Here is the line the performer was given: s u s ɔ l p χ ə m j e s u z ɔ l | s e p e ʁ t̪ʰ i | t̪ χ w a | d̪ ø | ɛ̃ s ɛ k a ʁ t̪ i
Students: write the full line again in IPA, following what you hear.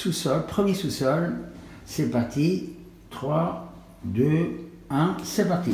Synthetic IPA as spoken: s u s ɔ l p χ ə m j e s u s ɔ l | s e p a ʁ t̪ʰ i | t̪ χ w a | d̪ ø | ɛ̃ s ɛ p a ʁ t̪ i